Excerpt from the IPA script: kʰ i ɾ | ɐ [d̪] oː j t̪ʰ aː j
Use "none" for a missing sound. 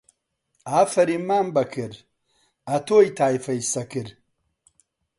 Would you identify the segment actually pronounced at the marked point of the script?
t̪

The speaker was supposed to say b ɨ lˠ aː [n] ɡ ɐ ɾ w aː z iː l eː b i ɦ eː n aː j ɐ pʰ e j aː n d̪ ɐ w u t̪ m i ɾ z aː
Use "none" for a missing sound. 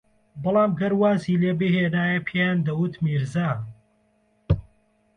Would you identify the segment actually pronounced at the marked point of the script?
m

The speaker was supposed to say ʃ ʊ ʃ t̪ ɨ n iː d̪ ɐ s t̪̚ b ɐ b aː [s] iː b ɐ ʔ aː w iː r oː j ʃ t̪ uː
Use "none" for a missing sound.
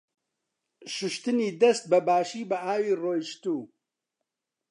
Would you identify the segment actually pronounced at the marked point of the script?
ʃ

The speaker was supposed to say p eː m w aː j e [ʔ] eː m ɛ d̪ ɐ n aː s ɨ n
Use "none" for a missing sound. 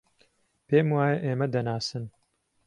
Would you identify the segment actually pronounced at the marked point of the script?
ʔ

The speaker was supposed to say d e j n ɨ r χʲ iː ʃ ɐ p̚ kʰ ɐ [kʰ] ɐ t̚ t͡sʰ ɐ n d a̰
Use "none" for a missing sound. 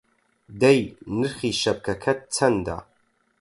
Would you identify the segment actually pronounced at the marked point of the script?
kʰ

